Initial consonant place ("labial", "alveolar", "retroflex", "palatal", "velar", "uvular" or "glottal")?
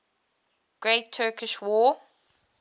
velar